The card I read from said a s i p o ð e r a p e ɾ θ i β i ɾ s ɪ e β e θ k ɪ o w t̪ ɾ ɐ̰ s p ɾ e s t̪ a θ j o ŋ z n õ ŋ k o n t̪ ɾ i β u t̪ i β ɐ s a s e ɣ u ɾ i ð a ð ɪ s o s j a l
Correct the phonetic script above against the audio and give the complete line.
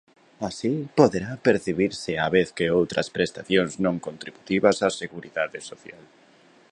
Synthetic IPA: a s i p o ð e ɾ a p e ɾ θ i β i ɾ s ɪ a β e θ k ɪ o w t̪ ɾ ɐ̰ s p ɾ e s t̪ a θ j o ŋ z n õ ŋ k o n t̪ ɾ i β u t̪ i β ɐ s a s e ɣ u ɾ i ð a ð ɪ s o θ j a l